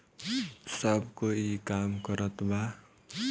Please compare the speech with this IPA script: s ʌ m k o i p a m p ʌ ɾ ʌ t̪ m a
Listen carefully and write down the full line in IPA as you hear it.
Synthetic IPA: s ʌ b k o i k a m k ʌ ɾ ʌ t̪ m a